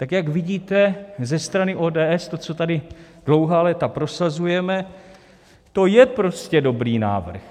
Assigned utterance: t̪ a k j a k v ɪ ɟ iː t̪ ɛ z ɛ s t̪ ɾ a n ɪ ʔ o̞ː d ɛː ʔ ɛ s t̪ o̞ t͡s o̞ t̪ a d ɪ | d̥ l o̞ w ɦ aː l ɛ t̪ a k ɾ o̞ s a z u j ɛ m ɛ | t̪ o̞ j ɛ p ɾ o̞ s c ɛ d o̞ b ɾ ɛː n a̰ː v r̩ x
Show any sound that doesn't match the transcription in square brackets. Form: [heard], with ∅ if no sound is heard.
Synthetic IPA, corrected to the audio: t̪ a k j a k v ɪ ɟ iː t̪ ɛ z ɛ s t̪ ɾ a n ɪ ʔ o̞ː d ɛː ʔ ɛ s t̪ o̞ t͡s o̞ t̪ a d ɪ | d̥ l o̞ w ɦ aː l ɛ t̪ a [p] ɾ o̞ s a z u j ɛ m ɛ | t̪ o̞ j ɛ p ɾ o̞ s c ɛ d o̞ b ɾ [iː] n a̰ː v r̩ x